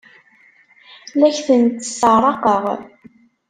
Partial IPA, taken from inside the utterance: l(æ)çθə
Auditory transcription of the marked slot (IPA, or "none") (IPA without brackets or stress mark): æ